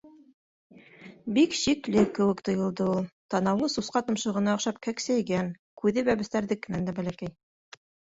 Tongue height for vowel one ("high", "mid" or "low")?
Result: high